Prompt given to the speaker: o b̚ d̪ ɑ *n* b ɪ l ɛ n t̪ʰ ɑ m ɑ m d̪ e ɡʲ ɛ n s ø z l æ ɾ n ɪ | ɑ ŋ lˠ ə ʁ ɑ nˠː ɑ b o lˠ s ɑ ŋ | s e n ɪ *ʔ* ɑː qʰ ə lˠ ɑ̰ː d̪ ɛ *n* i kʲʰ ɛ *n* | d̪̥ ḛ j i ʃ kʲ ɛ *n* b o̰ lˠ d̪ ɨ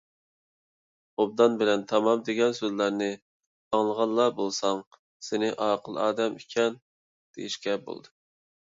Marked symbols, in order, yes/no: yes, yes, no, yes, no

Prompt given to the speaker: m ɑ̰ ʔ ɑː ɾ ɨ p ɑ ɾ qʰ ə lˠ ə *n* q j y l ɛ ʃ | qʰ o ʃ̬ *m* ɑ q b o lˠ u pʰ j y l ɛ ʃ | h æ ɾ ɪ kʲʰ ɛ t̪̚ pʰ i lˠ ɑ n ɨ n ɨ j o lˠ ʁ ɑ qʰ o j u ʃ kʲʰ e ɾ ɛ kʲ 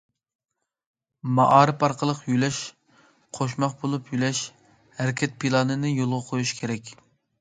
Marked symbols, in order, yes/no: no, yes

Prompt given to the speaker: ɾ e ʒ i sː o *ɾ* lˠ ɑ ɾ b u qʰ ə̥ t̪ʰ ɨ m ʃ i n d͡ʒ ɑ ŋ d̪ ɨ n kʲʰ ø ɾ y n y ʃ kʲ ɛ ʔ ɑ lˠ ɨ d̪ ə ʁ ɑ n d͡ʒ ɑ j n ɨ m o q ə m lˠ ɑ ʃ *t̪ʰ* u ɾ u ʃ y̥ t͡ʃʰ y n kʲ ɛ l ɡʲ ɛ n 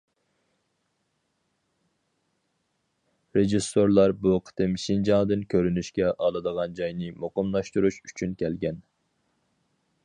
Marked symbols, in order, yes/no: yes, no

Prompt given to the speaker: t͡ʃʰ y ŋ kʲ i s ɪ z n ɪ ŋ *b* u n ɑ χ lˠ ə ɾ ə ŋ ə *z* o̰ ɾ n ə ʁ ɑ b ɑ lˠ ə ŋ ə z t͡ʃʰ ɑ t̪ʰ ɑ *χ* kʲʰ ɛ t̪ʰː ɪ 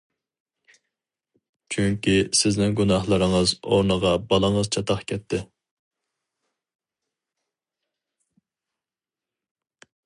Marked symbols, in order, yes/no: no, yes, yes

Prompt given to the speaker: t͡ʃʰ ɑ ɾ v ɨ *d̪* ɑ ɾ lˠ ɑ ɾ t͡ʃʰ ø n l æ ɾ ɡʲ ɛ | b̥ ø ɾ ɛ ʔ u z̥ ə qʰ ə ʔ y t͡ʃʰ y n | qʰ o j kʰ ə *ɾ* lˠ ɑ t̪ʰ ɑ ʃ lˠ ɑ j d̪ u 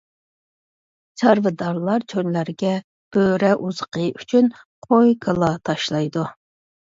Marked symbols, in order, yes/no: yes, no

